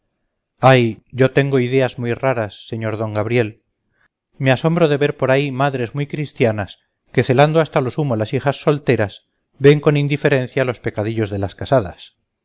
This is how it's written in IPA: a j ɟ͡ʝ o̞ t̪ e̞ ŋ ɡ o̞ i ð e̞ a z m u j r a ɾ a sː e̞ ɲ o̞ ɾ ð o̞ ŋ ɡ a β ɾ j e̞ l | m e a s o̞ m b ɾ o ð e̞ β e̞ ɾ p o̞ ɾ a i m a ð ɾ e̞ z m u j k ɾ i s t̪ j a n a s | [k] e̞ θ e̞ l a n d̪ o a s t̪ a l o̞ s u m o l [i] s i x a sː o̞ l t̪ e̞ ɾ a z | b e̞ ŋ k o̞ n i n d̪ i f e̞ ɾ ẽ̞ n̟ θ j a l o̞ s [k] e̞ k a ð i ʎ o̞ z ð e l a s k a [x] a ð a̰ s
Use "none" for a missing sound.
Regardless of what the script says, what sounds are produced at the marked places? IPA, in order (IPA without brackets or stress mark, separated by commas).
k, a, p, s